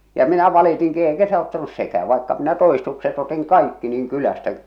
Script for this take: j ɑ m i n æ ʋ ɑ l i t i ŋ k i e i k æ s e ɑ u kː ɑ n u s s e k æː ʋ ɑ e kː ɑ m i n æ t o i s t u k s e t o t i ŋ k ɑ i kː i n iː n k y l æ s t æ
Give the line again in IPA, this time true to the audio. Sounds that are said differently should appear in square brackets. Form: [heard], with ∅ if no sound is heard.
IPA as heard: j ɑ m i n æ ʋ ɑ l i t i ŋ k i e i k æ s e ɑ u [tː] ɑ n u s s e k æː ʋ ɑ [i] kː ɑ m i n æ t o i s t u k s e t o t i ŋ k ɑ i kː i n iː [ŋ] k y l æ s t æ